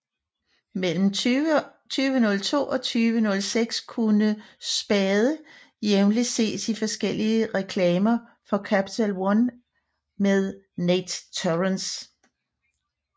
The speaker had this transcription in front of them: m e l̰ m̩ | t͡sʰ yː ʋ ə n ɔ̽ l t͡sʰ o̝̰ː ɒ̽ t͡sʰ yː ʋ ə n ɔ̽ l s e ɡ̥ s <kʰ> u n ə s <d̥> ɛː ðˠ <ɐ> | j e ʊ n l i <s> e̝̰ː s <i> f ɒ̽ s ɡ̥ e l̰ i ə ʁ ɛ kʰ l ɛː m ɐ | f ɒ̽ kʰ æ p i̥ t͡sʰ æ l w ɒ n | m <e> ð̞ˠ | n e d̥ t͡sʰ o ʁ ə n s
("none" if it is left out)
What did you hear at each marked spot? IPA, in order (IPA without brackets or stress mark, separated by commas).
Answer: kʰ, b̥, ə, s, i, e